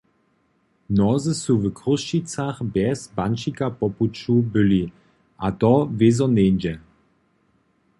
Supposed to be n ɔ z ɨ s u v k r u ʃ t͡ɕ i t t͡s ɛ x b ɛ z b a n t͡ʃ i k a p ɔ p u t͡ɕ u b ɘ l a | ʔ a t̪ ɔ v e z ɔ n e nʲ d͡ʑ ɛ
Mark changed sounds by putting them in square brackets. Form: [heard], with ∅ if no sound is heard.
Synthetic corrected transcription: n ɔ z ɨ s u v k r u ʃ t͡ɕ i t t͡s [a] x b ɛ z b a n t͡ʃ i k a p ɔ p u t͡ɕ u b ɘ l [i] | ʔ a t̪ ɔ v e z ɔ n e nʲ d͡ʑ ɛ